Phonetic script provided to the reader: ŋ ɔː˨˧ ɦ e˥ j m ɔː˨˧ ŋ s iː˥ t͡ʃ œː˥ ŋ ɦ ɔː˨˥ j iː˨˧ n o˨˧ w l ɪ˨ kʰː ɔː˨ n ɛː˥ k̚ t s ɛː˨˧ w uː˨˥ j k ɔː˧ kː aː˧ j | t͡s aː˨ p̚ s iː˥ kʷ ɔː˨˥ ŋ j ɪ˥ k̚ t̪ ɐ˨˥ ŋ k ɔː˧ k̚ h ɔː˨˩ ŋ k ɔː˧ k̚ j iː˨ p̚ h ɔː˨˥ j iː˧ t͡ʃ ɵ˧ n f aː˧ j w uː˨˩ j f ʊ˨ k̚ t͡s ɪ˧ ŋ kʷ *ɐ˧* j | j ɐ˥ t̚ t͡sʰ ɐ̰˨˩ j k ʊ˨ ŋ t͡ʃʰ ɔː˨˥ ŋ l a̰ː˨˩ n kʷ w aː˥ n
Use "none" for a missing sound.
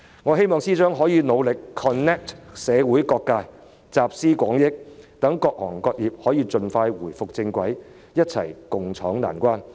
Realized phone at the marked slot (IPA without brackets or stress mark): ɐ˨˥